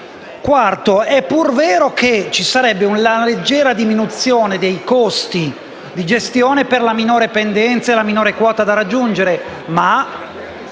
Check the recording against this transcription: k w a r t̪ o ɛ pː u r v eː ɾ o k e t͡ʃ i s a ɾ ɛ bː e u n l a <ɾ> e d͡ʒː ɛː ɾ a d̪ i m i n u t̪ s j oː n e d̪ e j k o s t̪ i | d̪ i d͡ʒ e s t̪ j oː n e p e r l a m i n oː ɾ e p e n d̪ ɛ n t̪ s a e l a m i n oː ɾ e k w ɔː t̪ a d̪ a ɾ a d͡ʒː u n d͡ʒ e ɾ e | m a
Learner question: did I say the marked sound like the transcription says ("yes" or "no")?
no